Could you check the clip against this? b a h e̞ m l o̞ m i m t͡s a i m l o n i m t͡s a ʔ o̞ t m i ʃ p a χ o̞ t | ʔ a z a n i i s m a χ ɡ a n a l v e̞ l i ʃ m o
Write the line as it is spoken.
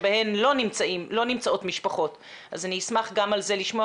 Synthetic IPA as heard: b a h e̞ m l o̞ n i m t͡s a i m l o n i m t͡s a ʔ o̞ t m i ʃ p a χ o̞ t | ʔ a z a n i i s m a χ ɡ a m a l z e̞ l i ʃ m o